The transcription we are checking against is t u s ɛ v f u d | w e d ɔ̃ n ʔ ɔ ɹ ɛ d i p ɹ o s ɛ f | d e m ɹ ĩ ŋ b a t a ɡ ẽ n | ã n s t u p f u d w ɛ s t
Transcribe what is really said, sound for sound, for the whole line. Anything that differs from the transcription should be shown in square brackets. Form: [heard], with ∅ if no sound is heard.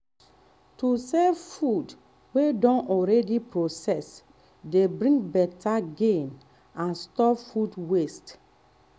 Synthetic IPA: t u s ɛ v f u d | w e d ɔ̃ n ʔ ɔ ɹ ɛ d i p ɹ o s ɛ [s] | d e [b] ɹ ĩ ŋ b [ɛ] t a ɡ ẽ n | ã n s t [ɔ] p f u d w [e] s t